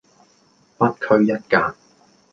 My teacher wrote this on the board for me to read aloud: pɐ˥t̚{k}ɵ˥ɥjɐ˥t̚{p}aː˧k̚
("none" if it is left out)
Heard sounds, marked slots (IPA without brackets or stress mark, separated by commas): kʰ, k